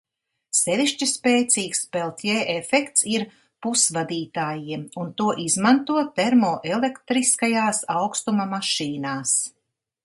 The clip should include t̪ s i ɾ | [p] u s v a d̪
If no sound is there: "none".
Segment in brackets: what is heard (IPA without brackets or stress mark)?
p